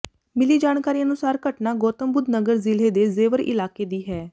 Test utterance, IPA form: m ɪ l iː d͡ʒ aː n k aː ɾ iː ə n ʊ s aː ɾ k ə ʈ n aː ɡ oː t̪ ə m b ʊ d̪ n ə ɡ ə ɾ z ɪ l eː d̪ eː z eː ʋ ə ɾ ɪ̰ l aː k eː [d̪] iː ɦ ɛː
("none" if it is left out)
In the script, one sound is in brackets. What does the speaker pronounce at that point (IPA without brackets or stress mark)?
d̪